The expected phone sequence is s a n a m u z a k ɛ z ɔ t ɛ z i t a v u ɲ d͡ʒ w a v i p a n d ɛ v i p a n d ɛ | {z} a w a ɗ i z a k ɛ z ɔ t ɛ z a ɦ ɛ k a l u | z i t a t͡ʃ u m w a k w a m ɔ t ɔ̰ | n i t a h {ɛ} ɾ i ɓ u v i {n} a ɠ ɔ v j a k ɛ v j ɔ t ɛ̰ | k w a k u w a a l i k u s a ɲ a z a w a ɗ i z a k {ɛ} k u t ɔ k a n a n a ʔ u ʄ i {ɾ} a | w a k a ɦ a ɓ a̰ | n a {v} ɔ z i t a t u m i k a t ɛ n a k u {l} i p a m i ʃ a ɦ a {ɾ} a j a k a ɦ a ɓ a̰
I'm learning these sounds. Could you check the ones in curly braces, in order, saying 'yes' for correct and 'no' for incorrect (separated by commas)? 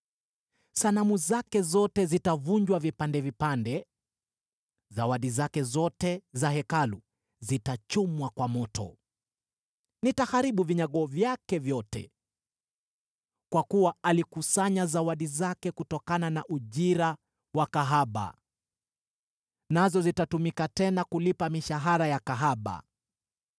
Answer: yes, no, no, yes, yes, no, yes, yes